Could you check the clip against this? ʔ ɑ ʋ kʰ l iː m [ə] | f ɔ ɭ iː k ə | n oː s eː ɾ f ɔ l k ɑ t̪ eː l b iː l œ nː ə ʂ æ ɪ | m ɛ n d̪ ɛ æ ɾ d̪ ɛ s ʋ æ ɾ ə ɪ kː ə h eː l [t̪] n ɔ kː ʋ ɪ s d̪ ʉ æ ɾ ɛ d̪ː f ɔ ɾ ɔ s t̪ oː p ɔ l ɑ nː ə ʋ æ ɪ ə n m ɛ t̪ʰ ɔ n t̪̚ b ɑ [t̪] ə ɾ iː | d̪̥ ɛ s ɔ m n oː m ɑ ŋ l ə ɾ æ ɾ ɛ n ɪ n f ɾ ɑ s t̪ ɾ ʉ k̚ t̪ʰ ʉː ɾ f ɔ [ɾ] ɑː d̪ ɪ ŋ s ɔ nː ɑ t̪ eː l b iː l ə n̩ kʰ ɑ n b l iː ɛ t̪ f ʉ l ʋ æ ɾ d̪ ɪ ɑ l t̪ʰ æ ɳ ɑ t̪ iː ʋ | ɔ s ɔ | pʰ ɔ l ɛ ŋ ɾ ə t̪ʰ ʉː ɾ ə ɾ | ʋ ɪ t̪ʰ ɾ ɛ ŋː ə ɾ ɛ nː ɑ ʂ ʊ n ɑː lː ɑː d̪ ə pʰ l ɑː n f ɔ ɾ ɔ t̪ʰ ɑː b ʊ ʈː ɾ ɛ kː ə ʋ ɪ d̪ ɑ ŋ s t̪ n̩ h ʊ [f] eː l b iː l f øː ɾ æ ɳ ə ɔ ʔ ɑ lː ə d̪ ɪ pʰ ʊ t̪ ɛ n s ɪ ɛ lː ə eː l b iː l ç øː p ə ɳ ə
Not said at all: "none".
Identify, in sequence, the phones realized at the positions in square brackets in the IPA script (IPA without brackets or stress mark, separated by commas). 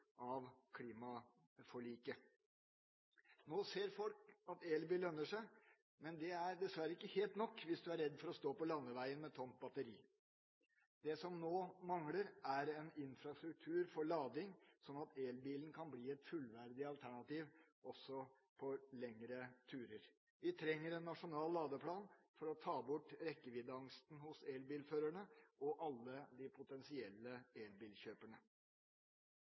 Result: ɑ, t̪, t̪, ɭ, s